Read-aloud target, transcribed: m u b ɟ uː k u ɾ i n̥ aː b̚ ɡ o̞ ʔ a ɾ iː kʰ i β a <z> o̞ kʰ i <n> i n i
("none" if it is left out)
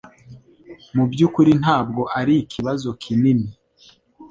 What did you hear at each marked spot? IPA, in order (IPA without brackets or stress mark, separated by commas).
z, n